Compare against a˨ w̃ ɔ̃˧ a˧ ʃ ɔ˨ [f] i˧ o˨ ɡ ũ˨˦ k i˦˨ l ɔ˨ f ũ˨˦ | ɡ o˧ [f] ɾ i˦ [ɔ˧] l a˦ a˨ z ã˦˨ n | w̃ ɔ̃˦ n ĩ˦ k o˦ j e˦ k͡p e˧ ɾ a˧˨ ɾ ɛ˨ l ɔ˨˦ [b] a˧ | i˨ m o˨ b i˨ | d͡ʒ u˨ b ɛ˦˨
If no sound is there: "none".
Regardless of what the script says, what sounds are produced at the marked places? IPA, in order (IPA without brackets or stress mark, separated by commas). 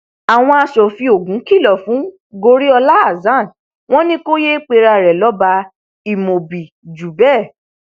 f, none, ɔ˧, b